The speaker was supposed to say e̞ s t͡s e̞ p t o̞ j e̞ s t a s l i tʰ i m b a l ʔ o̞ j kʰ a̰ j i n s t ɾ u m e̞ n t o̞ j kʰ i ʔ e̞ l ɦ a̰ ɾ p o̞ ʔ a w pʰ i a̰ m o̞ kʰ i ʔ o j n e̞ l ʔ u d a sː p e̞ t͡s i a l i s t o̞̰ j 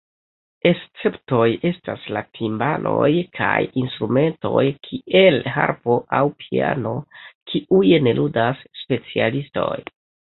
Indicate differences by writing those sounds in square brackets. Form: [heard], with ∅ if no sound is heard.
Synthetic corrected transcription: e̞ s t͡s e̞ p t o̞ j e̞ s t a s l [a] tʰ i m b a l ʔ o̞ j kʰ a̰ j i n s t ɾ u m e̞ n t o̞ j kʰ i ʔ e̞ l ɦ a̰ ɾ p o̞ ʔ a w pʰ i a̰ [n] o̞ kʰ i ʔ [u] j n e̞ l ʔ u d a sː p e̞ t͡s i a l i s t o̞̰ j